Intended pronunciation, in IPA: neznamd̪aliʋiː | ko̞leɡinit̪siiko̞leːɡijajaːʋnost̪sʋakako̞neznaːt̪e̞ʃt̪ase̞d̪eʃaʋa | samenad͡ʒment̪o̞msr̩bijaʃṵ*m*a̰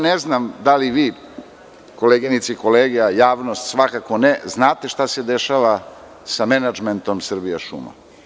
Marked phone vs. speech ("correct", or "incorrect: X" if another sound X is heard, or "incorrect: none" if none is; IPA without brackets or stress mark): correct